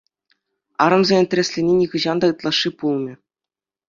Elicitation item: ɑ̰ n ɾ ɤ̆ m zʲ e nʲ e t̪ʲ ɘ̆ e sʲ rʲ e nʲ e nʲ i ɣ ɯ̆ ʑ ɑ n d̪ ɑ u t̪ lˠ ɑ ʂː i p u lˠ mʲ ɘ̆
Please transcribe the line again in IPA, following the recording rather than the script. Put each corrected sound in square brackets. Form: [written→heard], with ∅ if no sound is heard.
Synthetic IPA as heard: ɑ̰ [n→∅] ɾ ɤ̆ m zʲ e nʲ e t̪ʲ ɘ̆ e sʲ [rʲ→lʲ] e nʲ e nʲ i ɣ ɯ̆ ʑ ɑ n d̪ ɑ [u→ɯ] t̪ lˠ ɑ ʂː i p u lˠ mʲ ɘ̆